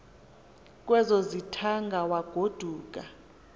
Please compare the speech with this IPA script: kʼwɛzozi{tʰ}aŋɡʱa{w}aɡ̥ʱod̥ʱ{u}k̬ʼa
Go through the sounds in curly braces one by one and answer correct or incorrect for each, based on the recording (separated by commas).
correct, correct, incorrect